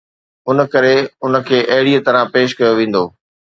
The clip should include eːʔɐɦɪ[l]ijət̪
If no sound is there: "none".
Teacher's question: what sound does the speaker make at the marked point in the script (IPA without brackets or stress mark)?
ɽ